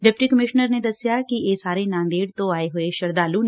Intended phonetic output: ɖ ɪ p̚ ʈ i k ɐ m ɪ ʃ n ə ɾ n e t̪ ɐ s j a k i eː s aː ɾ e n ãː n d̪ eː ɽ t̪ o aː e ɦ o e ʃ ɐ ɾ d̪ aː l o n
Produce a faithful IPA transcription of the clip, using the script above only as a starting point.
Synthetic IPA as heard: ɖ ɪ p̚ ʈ i k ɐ m ɪ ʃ n ə ɾ n e d̪ ɐ s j a k i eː s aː ɾ e n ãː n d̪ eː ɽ t̪ o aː e ɦ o e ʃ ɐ ɾ d̪ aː l u n